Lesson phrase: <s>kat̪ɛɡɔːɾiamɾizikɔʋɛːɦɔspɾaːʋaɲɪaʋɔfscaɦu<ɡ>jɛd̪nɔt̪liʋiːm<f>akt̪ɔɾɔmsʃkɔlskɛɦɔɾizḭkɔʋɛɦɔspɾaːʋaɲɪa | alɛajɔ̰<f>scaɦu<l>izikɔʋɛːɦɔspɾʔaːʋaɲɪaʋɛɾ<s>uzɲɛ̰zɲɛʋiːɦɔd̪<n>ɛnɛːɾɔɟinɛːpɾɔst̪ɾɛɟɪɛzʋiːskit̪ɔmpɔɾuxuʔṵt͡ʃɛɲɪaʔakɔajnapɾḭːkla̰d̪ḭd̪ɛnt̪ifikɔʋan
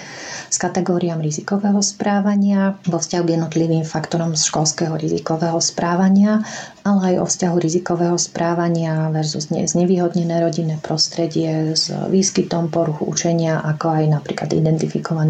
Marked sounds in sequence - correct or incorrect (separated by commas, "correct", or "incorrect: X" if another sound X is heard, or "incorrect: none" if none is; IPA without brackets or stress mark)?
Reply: correct, correct, correct, correct, incorrect: ɾ, incorrect: z, incorrect: ɲ